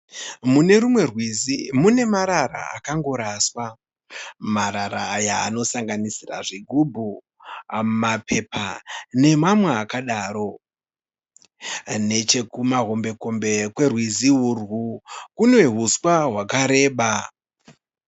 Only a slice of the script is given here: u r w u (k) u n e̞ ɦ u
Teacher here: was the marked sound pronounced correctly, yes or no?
yes